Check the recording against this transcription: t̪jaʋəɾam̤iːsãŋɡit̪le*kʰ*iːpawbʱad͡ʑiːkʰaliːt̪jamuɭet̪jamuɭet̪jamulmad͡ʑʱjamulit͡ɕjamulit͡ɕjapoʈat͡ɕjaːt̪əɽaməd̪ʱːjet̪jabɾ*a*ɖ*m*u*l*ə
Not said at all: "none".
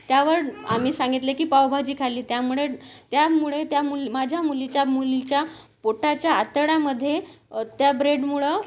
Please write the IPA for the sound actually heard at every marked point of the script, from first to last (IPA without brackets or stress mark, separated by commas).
k, e, m, ɭ